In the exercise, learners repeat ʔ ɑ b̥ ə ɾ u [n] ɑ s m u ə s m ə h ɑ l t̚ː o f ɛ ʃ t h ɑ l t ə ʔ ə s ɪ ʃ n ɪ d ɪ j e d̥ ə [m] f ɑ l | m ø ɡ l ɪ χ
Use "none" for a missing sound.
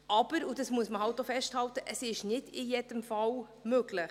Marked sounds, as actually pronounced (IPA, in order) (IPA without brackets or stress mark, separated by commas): d, m